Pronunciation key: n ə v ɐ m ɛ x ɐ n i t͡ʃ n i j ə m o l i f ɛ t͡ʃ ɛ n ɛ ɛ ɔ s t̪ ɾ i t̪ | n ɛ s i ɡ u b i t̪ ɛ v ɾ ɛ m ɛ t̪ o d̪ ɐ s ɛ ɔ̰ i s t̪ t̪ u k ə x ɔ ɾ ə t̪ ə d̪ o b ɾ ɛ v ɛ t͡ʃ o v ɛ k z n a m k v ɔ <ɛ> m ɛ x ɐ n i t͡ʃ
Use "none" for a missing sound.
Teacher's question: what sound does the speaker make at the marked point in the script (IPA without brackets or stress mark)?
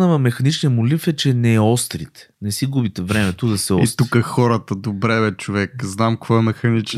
ɛ